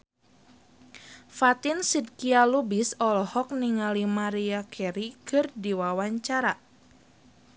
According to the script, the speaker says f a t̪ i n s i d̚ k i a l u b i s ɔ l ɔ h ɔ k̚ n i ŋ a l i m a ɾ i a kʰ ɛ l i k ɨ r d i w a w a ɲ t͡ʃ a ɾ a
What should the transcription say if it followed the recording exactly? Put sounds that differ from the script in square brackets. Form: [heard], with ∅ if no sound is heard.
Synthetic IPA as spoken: f a t̪ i n s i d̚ k i a l u b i s ɔ l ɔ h ɔ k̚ n i ŋ a l i m a ɾ i a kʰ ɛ [ɾ] i k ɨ r d i w a w a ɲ t͡ʃ a ɾ a